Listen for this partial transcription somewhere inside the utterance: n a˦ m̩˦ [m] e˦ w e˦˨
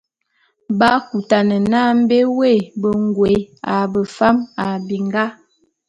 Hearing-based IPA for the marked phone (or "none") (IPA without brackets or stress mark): b